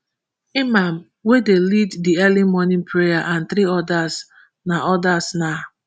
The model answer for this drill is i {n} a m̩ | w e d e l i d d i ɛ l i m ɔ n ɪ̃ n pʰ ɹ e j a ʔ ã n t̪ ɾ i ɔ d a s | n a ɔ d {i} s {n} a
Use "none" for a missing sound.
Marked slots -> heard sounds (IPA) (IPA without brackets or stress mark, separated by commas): m, a, n